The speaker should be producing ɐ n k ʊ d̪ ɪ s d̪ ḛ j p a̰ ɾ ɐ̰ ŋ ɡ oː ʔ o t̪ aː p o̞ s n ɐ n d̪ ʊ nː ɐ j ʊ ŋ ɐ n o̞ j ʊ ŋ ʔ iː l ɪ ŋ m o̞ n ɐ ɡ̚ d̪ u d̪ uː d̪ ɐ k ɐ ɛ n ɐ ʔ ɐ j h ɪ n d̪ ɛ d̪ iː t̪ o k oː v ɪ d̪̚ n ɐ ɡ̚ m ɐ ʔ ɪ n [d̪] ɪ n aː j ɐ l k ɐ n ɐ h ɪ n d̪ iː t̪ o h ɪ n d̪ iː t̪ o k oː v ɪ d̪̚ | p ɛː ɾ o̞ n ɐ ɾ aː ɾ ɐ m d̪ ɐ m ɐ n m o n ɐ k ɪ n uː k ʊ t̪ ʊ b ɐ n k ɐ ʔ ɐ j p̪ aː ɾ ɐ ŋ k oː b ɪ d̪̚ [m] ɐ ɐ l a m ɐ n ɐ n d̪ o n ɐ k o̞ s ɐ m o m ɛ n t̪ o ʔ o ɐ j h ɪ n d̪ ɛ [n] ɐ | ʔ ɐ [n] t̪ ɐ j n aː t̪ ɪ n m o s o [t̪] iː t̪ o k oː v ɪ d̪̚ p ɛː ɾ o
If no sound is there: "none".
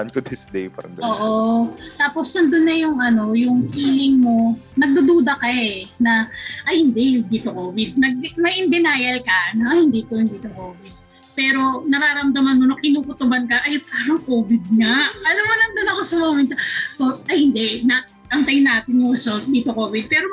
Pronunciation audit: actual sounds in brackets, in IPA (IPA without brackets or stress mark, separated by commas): d̪, ŋ, n, ŋ, d̪